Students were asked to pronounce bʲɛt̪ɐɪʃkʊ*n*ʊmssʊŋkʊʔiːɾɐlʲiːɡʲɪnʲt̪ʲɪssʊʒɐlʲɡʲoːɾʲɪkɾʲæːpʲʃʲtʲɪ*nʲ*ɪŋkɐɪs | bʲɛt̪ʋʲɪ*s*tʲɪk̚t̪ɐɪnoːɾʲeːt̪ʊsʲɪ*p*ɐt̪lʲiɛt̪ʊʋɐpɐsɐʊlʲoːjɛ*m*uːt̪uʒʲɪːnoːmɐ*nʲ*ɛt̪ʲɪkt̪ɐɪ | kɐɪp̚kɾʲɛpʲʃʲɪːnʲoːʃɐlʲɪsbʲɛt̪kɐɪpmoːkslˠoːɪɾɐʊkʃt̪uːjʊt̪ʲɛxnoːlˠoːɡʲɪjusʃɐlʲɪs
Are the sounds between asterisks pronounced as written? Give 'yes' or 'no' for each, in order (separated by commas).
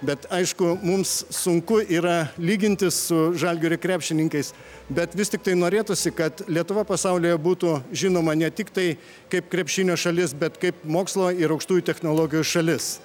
no, yes, yes, no, no, yes